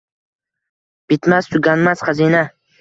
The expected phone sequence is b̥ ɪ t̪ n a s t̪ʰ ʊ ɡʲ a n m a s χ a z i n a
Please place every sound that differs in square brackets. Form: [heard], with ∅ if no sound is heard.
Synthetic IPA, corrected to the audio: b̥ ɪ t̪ [m] a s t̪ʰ ʊ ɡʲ a n m a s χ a z i n a